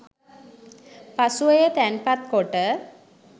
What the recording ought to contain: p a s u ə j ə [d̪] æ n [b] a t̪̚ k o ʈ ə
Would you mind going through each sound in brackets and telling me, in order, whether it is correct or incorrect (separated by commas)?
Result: incorrect, incorrect